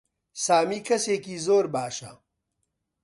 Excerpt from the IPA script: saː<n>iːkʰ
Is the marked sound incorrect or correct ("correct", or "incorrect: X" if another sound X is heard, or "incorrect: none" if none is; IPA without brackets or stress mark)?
incorrect: m